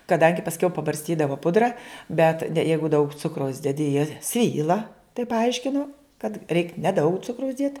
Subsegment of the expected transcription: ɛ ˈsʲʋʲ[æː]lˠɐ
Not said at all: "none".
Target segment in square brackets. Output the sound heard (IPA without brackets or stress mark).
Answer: iː